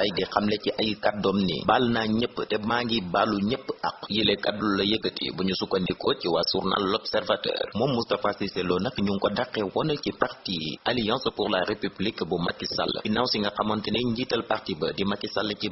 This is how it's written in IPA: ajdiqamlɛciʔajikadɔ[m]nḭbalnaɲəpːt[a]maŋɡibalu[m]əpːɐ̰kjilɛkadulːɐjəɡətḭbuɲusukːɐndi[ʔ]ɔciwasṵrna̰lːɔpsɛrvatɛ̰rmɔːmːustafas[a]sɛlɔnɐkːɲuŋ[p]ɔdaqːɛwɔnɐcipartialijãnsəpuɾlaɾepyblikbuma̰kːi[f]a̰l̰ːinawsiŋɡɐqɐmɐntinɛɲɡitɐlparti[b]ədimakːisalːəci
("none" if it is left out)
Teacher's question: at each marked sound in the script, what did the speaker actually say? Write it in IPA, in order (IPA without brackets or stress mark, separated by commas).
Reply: m, ɛ, ɲ, k, i, k, s, b